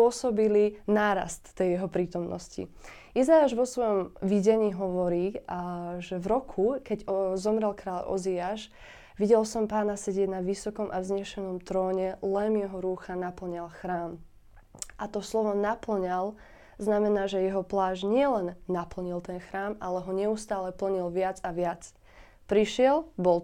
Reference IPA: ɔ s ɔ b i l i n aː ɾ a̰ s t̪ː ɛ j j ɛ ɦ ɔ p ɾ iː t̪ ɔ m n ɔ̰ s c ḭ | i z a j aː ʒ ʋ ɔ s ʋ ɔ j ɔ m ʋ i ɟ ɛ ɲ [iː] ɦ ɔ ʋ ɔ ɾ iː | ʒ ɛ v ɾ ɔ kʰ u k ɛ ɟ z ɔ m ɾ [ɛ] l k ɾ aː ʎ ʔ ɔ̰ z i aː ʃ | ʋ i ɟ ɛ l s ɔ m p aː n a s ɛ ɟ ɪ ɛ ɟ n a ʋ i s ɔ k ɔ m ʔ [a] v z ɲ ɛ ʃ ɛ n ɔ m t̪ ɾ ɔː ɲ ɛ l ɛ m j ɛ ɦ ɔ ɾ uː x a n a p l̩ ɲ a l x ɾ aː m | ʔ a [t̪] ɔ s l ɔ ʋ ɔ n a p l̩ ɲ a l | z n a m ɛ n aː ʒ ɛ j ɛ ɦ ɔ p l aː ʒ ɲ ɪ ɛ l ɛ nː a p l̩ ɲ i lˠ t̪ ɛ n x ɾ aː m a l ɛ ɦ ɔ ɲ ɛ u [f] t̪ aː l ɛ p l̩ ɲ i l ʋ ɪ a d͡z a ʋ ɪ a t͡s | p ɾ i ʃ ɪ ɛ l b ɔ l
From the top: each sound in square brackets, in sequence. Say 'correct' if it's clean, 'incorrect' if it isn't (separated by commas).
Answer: correct, correct, correct, correct, incorrect